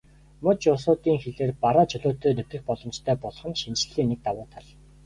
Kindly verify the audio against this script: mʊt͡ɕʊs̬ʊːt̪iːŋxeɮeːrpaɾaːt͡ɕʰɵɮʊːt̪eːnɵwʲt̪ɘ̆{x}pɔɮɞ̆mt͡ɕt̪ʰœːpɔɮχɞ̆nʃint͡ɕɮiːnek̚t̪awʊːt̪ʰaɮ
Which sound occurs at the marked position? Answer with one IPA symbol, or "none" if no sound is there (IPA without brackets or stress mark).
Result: x